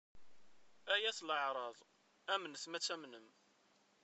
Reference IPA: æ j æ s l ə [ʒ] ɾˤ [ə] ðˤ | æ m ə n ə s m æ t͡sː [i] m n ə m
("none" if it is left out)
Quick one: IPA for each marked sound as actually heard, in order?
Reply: ʕ, ɑ, æ

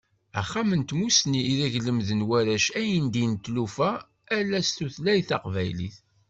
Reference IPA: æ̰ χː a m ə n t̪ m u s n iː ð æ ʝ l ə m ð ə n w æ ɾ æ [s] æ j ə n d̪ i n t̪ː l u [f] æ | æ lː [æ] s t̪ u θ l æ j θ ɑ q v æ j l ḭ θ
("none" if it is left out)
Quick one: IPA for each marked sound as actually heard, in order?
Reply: ʃ, f, æ

